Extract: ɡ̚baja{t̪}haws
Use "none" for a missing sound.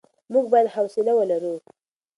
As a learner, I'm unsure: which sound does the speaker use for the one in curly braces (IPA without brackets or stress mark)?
d̪